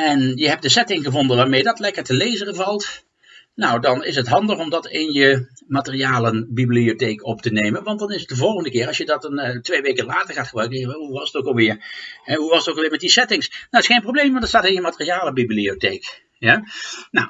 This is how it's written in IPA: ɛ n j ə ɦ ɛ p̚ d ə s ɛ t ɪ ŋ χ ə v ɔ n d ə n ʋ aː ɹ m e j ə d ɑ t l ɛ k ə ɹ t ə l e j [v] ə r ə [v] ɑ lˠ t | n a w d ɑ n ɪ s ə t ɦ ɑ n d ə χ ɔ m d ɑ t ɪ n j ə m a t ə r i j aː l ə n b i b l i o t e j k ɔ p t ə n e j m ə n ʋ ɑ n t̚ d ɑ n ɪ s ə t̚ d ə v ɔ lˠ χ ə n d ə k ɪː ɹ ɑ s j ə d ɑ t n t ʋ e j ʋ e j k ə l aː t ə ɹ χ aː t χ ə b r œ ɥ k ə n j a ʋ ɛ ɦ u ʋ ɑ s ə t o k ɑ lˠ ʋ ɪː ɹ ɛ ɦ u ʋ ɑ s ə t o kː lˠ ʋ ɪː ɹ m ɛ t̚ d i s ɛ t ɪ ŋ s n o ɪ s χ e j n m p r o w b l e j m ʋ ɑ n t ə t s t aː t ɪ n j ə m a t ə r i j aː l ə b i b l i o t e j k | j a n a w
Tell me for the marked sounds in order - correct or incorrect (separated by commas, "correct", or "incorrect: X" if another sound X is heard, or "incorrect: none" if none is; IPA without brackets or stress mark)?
incorrect: z, correct